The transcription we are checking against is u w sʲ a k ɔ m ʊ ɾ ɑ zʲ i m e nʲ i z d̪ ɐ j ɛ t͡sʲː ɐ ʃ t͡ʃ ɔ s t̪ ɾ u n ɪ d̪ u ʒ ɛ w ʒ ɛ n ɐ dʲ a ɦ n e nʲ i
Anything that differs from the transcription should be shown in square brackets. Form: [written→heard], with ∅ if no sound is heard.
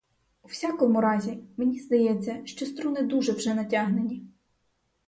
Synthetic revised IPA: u w sʲ a k ɔ m ʊ ɾ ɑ zʲ i m e nʲ i z d̪ ɐ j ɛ t͡sʲː ɐ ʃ t͡ʃ ɔ s t̪ ɾ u n ɪ d̪ u ʒ ɛ w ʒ ɛ n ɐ [dʲ→tʲ] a ɦ n e nʲ i